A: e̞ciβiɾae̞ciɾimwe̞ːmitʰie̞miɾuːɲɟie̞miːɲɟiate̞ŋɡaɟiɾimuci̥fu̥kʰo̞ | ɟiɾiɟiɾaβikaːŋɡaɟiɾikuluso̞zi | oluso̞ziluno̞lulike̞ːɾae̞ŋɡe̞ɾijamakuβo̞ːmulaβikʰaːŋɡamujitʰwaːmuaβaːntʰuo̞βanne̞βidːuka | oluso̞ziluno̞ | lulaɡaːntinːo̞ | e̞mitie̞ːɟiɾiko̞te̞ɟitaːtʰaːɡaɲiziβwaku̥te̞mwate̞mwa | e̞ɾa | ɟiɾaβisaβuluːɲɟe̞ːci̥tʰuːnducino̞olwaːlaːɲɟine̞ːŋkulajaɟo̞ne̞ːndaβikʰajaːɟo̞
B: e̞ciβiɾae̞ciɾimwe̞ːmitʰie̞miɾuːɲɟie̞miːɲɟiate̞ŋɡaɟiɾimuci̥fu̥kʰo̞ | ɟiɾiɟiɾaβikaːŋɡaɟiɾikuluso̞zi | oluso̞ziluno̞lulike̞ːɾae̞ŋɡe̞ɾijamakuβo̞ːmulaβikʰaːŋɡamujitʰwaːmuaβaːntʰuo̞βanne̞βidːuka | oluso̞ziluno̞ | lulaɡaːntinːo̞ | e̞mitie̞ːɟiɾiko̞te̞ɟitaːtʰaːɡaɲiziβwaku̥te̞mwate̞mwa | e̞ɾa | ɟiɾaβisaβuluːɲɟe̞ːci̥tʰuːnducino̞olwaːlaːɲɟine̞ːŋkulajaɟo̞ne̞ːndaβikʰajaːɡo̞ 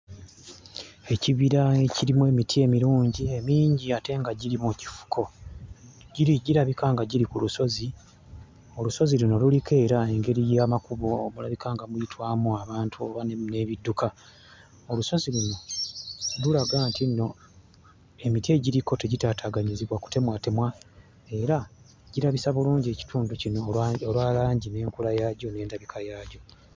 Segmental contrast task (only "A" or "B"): A